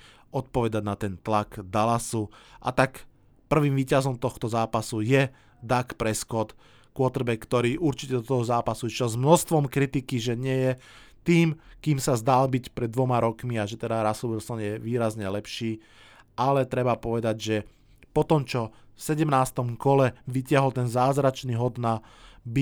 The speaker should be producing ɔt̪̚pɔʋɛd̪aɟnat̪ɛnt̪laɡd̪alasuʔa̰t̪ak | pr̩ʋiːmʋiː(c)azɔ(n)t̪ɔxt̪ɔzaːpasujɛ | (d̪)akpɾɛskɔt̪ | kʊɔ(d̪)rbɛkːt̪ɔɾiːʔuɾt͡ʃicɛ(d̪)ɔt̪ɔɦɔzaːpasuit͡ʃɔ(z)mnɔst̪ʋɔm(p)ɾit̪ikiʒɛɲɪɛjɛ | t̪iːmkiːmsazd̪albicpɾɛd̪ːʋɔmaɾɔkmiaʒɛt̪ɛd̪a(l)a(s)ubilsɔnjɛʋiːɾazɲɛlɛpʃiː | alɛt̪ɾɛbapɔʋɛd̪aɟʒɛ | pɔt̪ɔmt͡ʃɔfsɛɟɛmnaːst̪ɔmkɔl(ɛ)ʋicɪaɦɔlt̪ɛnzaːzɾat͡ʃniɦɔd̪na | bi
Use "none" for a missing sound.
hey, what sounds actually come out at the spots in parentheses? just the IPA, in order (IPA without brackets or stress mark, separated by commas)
c, m, d̪, t̪, d̪, z, k, ɾ, s, ɛ